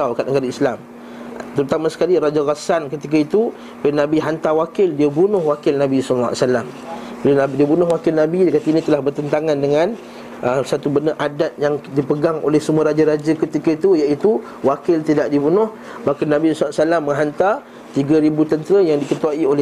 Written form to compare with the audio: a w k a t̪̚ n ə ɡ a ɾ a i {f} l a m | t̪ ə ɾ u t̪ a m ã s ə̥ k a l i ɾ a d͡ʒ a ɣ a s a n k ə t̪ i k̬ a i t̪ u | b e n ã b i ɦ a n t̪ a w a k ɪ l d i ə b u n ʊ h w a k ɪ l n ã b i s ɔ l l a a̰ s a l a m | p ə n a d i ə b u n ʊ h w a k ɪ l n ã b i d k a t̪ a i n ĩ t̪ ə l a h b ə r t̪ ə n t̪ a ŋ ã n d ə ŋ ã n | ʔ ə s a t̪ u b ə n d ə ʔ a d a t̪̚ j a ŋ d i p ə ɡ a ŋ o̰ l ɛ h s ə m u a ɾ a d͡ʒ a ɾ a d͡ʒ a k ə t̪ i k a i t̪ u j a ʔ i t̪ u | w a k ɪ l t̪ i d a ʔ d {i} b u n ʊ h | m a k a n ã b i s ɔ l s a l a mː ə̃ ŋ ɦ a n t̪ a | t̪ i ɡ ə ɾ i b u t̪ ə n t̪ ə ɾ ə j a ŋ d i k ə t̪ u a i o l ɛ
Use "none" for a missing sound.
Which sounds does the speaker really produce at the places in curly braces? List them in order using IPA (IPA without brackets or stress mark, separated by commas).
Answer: s, i